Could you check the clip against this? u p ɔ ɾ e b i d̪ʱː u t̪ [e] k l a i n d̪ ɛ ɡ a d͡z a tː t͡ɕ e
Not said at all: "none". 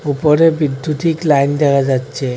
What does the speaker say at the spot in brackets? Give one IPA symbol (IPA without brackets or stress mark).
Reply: i